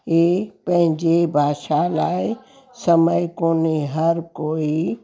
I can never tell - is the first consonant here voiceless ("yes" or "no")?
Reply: yes